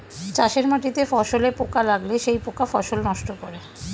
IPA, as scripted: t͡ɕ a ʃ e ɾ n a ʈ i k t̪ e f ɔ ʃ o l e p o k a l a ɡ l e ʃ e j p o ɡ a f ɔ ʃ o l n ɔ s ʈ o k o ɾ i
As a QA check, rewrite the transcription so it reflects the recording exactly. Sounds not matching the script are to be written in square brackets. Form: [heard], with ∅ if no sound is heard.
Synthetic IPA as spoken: t͡ɕ a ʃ e ɾ [m] a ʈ i [∅] t̪ e f ɔ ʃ o l e p o k a l a ɡ l e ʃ e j p o [k] a f ɔ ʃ o l n ɔ [ʃ] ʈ o k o ɾ [e]